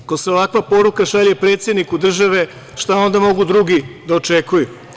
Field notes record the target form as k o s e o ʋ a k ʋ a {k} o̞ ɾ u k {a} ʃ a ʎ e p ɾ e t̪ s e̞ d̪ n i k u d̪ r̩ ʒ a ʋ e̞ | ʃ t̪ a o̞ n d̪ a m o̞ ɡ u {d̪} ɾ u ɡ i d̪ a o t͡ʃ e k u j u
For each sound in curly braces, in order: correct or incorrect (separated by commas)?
incorrect, correct, correct